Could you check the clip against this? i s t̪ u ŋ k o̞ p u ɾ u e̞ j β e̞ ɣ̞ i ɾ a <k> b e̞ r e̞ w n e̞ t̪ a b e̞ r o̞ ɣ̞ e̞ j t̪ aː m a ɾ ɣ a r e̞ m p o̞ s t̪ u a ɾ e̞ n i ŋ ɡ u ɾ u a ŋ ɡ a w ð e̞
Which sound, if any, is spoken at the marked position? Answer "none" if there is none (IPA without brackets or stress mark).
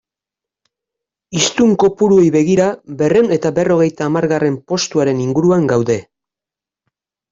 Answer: none